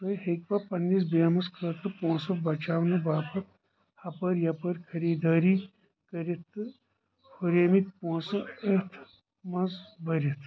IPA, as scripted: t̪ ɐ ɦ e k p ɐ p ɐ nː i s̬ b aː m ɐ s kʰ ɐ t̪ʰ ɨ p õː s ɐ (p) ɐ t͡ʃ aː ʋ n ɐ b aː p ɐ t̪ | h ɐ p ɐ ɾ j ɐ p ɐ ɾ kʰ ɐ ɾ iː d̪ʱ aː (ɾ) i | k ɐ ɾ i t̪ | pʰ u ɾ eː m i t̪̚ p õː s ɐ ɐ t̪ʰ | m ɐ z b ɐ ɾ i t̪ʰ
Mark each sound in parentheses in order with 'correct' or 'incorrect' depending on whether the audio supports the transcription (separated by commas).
incorrect, correct